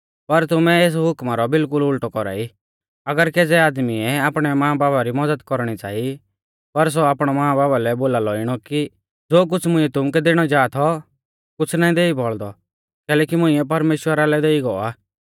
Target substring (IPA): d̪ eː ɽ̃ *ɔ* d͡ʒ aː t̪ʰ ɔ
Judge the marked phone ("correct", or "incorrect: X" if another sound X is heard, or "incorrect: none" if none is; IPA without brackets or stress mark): correct